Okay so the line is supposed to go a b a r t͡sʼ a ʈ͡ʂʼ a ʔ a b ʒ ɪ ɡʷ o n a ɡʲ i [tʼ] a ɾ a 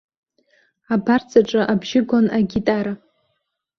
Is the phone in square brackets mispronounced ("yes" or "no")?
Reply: no